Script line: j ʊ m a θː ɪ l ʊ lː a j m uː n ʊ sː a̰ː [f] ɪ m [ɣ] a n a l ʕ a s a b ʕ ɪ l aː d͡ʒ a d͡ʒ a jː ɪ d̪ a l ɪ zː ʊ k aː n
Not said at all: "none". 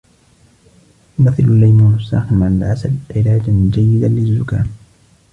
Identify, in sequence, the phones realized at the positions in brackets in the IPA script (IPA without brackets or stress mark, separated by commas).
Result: x, ʕ